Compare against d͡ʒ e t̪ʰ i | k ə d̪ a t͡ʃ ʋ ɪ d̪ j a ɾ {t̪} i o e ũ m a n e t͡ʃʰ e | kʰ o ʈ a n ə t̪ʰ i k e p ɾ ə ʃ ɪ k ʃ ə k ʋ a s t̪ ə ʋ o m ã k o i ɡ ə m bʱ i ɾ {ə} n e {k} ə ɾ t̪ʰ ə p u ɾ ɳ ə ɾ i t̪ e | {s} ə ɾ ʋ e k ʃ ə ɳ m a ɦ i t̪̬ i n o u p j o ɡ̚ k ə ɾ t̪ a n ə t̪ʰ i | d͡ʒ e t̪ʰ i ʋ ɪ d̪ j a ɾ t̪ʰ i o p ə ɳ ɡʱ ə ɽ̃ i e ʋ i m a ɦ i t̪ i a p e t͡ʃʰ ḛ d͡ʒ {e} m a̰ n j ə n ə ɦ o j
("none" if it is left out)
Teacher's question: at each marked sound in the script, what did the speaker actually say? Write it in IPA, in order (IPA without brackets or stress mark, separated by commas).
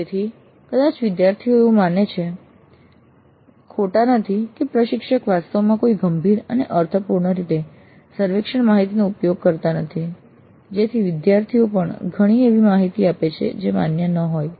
t̪ʰ, ə, ʔ, s, e